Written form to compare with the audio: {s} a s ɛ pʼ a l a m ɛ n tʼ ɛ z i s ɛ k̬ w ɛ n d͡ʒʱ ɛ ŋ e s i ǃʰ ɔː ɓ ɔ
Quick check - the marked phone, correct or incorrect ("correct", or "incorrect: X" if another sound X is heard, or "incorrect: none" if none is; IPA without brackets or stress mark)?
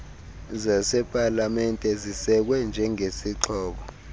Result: incorrect: z